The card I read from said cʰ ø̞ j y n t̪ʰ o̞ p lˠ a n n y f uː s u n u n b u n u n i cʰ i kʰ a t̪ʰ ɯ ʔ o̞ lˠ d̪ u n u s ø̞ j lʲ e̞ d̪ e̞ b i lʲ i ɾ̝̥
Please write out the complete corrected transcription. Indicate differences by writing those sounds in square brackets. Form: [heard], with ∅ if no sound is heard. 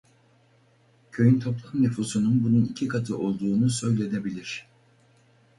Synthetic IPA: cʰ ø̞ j y n t̪ʰ o̞ p lˠ a [m] n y f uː s u n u n b u n u n i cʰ i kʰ a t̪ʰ ɯ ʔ o̞ lˠ d̪ [uː] n u s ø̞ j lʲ e̞ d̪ e̞ b i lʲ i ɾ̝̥

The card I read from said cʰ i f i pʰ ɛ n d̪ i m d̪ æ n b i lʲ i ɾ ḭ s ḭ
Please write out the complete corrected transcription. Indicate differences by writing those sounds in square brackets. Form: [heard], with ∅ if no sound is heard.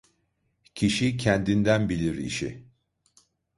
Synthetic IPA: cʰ i [ʃ] i [cʰ] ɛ n d̪ i [n] d̪ æ n b i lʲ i ɾ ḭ [ʃ] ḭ

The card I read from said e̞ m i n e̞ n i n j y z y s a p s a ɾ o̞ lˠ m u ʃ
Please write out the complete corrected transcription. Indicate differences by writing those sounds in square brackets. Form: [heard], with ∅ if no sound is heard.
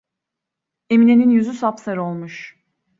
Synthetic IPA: e̞ m i n e̞ n i n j y z y s a p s a ɾ o̞ lˠ m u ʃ

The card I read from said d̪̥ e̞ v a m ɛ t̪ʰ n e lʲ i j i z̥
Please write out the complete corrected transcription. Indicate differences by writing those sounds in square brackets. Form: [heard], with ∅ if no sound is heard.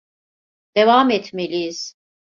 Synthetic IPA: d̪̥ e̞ v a m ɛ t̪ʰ [m] e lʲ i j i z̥

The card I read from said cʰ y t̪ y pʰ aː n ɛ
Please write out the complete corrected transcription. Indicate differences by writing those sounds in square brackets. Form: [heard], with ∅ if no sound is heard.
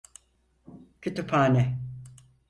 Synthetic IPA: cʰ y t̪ y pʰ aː n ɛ

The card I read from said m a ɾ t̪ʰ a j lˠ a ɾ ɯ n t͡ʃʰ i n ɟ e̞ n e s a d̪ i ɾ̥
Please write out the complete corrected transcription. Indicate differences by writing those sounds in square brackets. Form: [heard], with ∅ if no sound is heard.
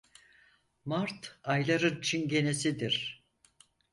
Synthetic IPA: m a ɾ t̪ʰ a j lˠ a ɾ ɯ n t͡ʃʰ i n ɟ e̞ n e s [i] d̪ i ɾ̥

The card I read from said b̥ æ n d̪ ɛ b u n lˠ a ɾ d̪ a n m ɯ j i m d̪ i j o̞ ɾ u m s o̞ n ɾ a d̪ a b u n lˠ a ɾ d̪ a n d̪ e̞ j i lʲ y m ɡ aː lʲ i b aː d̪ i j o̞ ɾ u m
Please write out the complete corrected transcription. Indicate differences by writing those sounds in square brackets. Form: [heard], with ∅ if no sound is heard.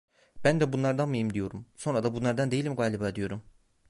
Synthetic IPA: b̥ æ n d̪ ɛ b u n lˠ a ɾ d̪ a n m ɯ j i m d̪ i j o̞ ɾ u m s o̞ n ɾ a d̪ a b u n lˠ a ɾ d̪ a n d̪ e̞ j i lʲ [i] m ɡ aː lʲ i b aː d̪ i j o̞ ɾ u m

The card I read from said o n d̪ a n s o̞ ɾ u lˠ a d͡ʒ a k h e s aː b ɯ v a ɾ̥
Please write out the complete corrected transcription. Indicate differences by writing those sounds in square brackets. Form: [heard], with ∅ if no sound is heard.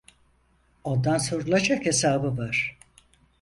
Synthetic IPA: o n d̪ a n s o̞ ɾ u lˠ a d͡ʒ a k h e s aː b ɯ v a ɾ̥

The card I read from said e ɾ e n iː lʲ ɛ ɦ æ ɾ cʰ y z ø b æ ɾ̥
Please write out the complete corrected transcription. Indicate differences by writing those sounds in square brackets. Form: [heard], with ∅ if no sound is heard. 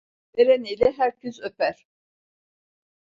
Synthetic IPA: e ɾ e n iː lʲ ɛ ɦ æ ɾ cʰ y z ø [p] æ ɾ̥

